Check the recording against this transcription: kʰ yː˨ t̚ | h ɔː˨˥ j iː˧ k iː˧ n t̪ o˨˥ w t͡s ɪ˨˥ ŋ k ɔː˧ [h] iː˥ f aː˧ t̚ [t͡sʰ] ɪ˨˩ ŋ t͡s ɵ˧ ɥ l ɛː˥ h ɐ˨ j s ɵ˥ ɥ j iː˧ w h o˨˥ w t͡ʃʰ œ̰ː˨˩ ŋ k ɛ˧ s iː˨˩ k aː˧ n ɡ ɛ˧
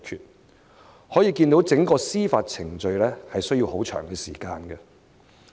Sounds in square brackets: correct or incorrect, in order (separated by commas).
incorrect, correct